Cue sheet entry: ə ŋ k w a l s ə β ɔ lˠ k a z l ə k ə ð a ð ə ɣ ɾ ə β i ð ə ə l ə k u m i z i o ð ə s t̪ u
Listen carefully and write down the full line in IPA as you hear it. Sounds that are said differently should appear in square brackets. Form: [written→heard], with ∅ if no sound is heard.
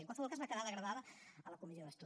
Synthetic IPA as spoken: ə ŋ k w a l s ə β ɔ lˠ k a z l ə k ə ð a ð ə ɣ ɾ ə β [i→a] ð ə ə l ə k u m i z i o ð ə s t̪ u